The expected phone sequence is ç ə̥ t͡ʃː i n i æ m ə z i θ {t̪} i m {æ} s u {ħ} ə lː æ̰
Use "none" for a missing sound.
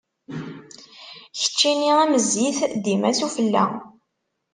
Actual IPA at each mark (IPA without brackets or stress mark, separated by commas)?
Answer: d̪, æ, f